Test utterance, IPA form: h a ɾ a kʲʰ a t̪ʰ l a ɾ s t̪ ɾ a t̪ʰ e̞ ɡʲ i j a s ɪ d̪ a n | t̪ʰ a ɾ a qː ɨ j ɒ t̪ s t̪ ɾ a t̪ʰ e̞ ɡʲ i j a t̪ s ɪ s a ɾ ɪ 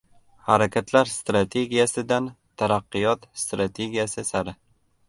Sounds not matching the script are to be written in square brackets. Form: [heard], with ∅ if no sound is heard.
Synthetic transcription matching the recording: h a ɾ a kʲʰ a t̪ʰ l a ɾ s t̪ ɾ a t̪ʰ e̞ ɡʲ i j a s ɪ d̪ a n | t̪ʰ a ɾ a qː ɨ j ɒ t̪ s t̪ ɾ a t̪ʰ e̞ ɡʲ i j a [∅] s ɪ s a ɾ ɪ